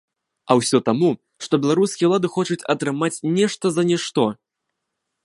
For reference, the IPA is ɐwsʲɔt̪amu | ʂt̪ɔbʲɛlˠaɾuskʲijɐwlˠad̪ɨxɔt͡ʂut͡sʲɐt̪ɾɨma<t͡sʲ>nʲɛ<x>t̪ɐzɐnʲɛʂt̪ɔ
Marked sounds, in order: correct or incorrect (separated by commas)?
correct, incorrect